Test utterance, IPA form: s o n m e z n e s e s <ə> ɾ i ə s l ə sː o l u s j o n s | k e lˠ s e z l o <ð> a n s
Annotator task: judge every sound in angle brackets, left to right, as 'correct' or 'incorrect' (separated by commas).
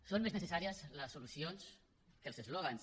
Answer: incorrect, incorrect